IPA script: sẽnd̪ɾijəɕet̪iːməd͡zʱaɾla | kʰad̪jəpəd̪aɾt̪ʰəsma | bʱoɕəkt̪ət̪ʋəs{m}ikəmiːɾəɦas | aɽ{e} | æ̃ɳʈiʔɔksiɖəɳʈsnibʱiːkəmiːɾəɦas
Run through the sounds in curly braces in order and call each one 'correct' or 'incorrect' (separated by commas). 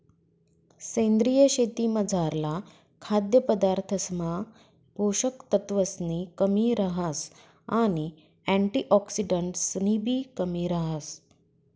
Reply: incorrect, incorrect